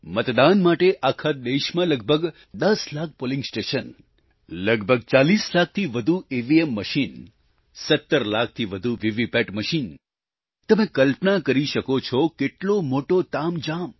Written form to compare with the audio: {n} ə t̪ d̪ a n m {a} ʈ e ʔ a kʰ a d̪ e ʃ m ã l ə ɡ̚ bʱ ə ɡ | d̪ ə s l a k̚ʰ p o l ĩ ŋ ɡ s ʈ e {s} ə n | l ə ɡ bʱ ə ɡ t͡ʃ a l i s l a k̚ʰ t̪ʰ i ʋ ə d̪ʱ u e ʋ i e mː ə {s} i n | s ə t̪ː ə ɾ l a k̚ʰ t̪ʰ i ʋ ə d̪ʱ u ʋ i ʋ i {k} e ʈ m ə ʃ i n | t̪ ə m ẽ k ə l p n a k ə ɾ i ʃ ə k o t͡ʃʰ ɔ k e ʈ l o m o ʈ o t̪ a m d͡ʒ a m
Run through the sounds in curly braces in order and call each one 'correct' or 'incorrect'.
incorrect: m, correct, incorrect: ʃ, incorrect: ʃ, incorrect: p

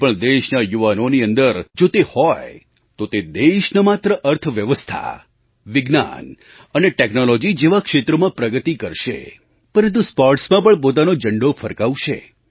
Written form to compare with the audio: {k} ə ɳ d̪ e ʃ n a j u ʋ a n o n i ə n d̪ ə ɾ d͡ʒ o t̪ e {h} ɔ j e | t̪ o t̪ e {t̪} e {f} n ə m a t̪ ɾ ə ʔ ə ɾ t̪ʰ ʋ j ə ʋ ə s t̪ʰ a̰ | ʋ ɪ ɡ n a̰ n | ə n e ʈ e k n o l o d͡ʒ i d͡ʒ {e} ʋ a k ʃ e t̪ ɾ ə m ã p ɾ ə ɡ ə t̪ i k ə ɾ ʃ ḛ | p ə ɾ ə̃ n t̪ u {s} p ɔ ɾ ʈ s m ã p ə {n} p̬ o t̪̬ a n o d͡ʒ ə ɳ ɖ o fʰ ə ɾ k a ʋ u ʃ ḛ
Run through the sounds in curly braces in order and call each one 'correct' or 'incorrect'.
incorrect: p, correct, incorrect: d̪, incorrect: ʃ, correct, correct, incorrect: ɳ

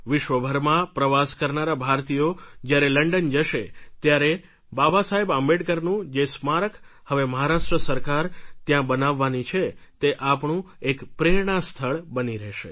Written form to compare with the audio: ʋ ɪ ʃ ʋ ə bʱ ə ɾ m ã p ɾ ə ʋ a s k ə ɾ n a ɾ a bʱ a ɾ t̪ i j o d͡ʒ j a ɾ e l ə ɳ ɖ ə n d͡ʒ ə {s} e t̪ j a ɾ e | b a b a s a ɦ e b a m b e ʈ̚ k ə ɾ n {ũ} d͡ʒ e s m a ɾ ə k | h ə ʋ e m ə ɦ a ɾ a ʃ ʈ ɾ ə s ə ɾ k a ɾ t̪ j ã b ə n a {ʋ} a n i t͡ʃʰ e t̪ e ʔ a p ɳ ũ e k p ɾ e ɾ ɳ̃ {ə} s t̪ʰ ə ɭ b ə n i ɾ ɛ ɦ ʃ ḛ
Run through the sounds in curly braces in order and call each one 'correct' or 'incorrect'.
incorrect: ʃ, correct, incorrect: ʋː, incorrect: a

